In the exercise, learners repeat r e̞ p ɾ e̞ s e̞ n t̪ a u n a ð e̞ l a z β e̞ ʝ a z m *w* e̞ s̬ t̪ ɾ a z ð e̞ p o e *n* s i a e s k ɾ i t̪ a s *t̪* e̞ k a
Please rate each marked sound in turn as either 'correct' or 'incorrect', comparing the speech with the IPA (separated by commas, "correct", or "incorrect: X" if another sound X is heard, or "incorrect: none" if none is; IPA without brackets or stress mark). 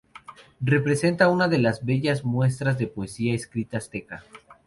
correct, incorrect: none, correct